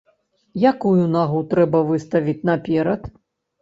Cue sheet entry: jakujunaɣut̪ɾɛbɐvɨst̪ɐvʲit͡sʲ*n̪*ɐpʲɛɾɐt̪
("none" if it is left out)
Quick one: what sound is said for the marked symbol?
n̪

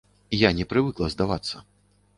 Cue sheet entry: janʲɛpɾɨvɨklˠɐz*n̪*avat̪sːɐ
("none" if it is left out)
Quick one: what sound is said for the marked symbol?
d̪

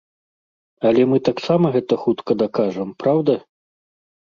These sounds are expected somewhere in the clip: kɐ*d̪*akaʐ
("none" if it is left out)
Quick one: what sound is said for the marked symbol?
d̪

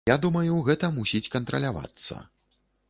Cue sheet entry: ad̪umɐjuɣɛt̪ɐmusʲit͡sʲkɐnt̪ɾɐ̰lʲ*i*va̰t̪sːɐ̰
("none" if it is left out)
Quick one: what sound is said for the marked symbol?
a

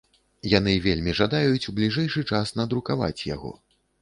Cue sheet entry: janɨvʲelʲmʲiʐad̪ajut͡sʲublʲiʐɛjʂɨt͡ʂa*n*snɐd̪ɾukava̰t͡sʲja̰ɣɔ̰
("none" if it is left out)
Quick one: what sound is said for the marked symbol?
none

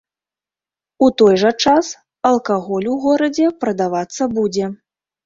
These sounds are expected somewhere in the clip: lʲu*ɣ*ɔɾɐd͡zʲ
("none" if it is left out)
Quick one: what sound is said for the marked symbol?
ɣ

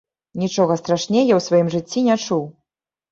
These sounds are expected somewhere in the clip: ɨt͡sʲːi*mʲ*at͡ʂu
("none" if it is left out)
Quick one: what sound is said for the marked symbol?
nʲ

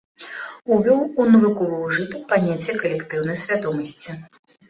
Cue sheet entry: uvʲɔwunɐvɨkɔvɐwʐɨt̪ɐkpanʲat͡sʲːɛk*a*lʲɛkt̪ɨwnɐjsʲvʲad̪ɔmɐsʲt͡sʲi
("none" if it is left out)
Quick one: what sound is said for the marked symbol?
ɐ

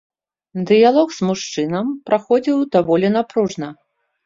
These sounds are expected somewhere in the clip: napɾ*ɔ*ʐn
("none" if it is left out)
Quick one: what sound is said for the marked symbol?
u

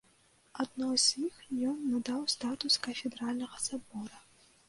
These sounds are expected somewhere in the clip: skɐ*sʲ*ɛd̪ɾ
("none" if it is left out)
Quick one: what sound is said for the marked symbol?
fʲ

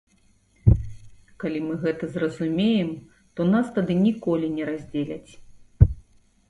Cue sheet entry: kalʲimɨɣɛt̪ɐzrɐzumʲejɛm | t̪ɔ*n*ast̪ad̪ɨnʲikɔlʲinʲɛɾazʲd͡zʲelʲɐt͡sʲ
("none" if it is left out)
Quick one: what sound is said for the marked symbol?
n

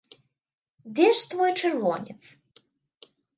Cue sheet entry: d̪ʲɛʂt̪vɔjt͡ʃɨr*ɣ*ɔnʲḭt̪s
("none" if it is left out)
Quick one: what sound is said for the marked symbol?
v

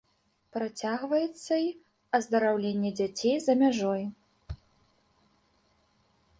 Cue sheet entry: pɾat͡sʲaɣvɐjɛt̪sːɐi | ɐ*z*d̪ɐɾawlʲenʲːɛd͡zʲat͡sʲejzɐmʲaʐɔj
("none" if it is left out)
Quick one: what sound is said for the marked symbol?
z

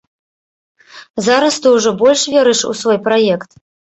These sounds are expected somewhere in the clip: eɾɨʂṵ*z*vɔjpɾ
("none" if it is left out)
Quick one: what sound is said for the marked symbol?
s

